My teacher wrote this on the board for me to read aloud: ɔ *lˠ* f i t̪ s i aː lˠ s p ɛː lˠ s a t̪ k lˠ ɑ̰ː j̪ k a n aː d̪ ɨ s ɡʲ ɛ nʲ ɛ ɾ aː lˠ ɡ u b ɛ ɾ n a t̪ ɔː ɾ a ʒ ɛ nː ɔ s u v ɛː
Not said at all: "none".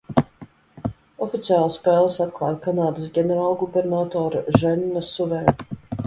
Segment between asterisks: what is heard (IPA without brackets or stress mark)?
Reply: none